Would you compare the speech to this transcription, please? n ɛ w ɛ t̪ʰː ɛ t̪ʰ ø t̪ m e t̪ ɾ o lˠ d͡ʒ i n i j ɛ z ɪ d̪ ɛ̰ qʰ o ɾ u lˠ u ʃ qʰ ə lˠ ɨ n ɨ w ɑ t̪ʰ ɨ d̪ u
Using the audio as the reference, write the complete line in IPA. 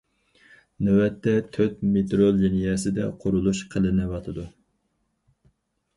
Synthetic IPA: n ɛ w ɛ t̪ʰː ɛ t̪ʰ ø t̪ m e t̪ ɾ o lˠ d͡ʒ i n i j ɛ s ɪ d̪ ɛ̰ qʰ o ɾ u lˠ u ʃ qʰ ə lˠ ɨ n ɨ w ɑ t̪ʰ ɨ d̪ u

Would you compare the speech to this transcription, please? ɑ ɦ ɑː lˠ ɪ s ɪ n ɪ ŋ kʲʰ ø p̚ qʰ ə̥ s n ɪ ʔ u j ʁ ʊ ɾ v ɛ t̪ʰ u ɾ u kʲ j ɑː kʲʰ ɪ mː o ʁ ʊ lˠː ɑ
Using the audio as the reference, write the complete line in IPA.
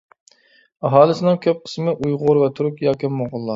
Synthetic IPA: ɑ ɦ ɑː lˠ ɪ s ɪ n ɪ ŋ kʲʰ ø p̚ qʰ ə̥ s m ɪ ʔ u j ʁ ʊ ɾ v ɛ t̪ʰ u ɾ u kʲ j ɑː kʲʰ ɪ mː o ʁ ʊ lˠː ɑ

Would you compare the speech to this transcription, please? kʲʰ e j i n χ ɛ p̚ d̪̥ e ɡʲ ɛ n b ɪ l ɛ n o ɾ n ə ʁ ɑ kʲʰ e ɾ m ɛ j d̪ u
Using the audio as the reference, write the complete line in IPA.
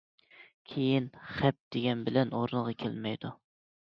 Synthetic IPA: kʲʰ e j i n χ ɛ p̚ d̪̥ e ɡʲ ɛ n b ɪ l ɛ n o ɾ n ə ʁ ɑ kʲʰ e l m ɛ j d̪ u

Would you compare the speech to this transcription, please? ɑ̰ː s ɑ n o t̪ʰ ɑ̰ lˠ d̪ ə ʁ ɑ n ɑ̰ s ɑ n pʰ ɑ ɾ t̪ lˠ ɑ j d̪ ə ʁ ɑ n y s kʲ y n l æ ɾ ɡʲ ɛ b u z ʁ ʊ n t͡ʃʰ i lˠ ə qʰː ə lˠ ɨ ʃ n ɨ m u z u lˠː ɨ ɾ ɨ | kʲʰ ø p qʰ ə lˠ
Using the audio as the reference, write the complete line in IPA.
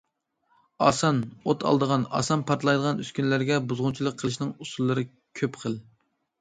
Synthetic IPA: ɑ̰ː s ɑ n o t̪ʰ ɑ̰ lˠ d̪ ə ʁ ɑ n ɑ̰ s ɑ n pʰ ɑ ɾ t̪ lˠ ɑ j d̪ ə ʁ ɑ n y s kʲ y n l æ ɾ ɡʲ ɛ b u z ʁ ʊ n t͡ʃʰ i lˠ ə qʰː ə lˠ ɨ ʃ n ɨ ŋ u s u lˠː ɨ ɾ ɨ | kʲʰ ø p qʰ ə lˠ

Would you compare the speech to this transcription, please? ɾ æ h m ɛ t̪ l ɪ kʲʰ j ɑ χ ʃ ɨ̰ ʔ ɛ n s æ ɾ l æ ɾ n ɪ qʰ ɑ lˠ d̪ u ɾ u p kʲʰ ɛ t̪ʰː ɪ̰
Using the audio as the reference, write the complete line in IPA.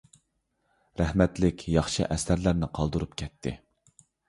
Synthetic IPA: ɾ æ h m ɛ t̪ l ɪ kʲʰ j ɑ χ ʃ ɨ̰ ʔ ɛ s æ ɾ l æ ɾ n ɪ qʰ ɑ lˠ d̪ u ɾ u p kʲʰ ɛ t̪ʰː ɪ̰

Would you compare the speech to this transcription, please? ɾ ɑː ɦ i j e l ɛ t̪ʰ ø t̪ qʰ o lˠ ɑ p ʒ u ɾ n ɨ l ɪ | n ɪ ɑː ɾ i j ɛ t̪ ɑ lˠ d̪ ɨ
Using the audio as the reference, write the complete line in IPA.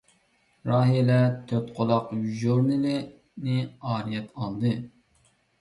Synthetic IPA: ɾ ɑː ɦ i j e l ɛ t̪ʰ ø t̪ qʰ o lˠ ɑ q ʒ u ɾ n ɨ l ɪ | n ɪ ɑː ɾ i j ɛ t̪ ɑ lˠ d̪ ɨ

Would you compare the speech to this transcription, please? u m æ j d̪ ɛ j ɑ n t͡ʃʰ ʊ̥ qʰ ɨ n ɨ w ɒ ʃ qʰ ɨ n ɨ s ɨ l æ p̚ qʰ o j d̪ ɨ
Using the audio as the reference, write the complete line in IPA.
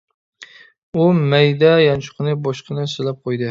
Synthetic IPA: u m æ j d̪ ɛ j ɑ n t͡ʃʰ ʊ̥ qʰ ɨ n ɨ b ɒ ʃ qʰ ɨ n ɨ s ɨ l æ p̚ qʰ o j d̪ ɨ

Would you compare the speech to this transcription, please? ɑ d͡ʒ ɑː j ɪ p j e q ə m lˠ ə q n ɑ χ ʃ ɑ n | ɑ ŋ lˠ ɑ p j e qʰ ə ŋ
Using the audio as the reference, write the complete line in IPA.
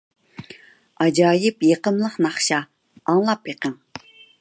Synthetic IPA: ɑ d͡ʒ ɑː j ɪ p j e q ə m lˠ ə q n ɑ χ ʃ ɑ | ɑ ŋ lˠ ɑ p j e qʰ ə ŋ

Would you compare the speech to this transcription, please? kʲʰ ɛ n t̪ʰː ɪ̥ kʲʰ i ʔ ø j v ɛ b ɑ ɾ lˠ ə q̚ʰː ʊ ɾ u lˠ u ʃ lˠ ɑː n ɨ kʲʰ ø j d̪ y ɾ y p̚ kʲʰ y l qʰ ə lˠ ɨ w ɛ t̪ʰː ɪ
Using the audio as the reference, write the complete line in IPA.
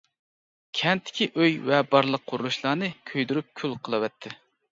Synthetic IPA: kʲʰ ɛ n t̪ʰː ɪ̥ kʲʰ i ʔ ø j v ɛ b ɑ ɾ lˠ ə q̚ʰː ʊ ɾ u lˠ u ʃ lˠ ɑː n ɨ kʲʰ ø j d̪ y ɾ y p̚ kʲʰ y l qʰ ə lˠ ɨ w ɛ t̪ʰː ɪ

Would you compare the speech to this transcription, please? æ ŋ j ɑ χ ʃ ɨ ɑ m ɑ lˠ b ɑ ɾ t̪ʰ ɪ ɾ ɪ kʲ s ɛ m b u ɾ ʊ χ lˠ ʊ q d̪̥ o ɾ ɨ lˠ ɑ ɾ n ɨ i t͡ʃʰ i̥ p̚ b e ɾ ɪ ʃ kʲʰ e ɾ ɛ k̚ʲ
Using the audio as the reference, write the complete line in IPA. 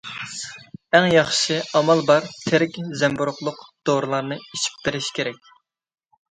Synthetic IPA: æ ŋ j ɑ χ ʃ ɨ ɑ m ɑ lˠ b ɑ ɾ t̪ʰ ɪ ɾ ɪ kʲ z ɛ m b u ɾ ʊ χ lˠ ʊ q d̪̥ o ɾ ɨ lˠ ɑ ɾ n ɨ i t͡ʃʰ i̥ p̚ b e ɾ ɪ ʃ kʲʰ e ɾ ɛ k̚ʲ

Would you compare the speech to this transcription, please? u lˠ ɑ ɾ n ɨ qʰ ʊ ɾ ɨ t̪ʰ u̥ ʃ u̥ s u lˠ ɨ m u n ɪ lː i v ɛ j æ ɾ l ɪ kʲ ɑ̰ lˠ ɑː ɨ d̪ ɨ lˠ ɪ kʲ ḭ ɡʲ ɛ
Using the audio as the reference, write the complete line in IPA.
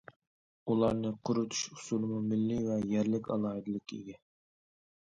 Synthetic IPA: u lˠ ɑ ɾ n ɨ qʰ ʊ ɾ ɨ t̪ʰ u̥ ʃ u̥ s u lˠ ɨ m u m ɪ lː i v ɛ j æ ɾ l ɪ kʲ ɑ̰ lˠ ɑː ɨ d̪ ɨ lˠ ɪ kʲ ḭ ɡʲ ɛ

